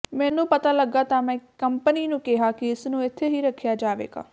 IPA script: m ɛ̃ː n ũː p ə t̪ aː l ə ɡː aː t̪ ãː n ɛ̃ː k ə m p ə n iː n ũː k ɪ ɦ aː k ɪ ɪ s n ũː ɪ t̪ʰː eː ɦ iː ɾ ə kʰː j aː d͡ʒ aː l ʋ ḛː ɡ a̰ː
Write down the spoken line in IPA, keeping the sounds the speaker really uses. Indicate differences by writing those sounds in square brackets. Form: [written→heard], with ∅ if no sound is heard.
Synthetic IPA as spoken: m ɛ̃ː n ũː p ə t̪ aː l ə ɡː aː t̪ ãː [n→m] ɛ̃ː k ə m p ə n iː n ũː k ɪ ɦ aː k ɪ ɪ s n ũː ɪ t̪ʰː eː ɦ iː ɾ ə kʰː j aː d͡ʒ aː [l→∅] ʋ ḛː ɡ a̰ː